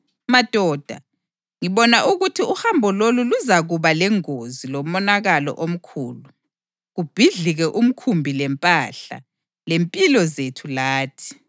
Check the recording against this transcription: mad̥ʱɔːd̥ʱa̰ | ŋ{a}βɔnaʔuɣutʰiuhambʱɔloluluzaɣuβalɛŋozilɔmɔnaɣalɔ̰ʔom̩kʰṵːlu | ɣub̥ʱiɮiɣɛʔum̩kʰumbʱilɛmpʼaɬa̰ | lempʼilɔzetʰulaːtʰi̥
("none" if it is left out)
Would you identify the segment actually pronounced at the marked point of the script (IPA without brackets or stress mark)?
i